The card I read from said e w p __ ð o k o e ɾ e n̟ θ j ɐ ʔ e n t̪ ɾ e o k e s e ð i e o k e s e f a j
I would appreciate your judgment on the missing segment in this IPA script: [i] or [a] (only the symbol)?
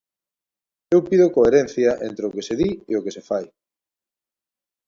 i